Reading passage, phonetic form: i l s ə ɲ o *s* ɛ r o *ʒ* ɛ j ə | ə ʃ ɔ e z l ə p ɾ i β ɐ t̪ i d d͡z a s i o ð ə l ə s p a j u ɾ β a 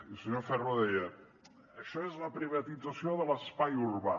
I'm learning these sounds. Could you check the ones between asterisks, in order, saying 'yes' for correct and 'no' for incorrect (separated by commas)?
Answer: no, no